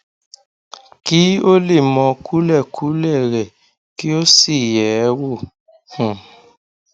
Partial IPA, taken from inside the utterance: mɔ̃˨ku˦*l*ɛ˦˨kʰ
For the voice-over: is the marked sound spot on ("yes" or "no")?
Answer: yes